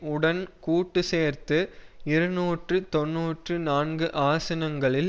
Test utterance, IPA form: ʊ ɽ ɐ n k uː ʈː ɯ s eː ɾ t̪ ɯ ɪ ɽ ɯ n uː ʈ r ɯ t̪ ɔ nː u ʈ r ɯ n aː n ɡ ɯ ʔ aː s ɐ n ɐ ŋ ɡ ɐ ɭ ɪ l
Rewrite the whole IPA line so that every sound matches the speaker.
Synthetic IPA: ʊ ɽ ɐ n k uː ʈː ɯ s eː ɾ t̪ ɯ ɪ ɾ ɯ n uː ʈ r ɯ t̪ ɔ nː uː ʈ r ɯ n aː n ɡ ɯ ʔ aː s ɐ n ɐ ŋ ɡ ɐ ɭ ɪ l